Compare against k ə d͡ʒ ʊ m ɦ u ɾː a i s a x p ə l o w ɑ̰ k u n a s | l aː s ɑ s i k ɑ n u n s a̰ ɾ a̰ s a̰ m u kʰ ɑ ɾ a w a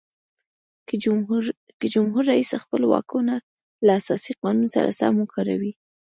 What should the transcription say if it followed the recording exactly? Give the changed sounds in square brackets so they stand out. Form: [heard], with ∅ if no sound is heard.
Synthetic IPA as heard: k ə d͡ʒ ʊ m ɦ u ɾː a i s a x p ə l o w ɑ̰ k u n a [∅] | l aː s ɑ s i [q] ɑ n u n s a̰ ɾ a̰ s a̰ m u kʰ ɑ ɾ a w [i]